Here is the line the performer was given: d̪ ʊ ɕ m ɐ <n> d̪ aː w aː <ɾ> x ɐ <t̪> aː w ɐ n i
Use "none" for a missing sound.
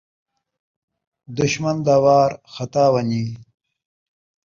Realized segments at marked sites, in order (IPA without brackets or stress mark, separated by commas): n, ɾ, t̪